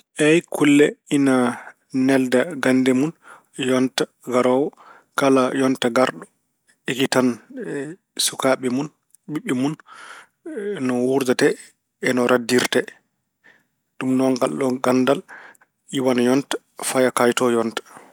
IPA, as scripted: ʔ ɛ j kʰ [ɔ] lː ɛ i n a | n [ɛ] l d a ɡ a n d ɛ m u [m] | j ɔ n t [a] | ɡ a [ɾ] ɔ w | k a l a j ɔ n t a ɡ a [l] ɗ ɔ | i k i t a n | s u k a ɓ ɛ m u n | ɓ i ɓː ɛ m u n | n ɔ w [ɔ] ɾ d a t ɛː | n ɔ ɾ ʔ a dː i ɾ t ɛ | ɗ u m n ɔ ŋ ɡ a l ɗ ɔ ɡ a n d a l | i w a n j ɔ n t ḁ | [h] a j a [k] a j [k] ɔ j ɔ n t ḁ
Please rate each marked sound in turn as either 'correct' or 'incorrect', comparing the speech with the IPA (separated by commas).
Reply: incorrect, correct, incorrect, correct, correct, incorrect, incorrect, incorrect, correct, incorrect